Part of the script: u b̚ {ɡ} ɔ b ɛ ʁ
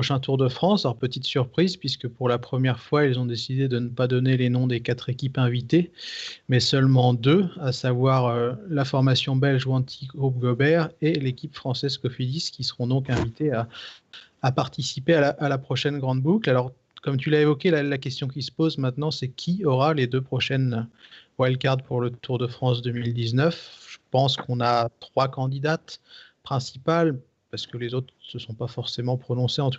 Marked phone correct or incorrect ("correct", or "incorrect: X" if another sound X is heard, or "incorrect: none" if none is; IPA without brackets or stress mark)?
correct